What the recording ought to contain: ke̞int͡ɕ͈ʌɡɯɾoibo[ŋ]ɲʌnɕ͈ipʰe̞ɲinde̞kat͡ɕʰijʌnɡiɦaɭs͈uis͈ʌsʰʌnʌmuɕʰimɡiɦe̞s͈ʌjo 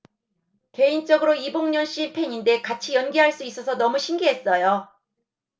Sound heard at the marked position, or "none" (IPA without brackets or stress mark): ŋ